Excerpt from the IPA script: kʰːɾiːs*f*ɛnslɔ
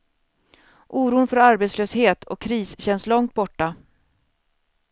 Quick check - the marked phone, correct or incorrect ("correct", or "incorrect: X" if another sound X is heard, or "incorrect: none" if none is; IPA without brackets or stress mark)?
incorrect: ɕ